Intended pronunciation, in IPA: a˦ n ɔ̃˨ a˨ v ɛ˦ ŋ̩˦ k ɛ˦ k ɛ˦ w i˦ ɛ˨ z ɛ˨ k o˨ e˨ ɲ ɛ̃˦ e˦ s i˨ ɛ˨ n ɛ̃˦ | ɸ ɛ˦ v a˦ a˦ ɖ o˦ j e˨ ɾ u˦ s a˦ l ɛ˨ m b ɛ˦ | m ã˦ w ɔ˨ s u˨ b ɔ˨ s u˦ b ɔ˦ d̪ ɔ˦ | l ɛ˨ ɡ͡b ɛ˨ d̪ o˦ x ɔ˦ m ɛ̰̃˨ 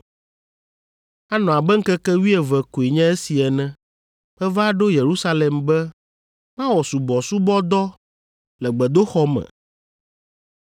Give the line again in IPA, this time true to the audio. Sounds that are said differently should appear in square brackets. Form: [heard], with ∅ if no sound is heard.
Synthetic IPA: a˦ n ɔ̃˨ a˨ [b] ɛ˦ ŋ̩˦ k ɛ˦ k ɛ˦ w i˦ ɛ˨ [v] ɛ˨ k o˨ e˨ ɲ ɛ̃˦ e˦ s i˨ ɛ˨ n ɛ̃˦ | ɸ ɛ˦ v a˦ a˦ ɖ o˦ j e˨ ɾ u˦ s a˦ l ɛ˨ m b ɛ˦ | m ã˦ w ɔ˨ s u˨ b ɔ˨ s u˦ b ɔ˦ d̪ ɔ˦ | l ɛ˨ ɡ͡b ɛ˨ d̪ o˦ x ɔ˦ m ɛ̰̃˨